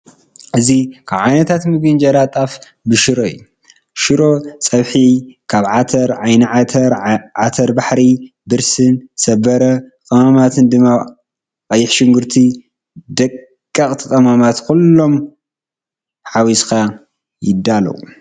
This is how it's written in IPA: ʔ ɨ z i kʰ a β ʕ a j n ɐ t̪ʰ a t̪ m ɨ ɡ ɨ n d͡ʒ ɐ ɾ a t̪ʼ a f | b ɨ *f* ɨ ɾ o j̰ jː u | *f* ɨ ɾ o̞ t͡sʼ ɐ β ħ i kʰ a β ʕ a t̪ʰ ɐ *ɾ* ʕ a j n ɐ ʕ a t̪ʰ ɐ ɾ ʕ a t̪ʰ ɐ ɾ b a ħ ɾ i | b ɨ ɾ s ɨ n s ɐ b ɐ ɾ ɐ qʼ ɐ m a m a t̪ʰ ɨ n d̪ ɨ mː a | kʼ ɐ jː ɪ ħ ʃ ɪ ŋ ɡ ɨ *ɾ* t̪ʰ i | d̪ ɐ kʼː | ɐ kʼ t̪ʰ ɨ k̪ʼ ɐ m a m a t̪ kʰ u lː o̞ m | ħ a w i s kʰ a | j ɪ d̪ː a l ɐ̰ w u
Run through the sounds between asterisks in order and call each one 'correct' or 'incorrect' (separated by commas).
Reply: incorrect, incorrect, correct, correct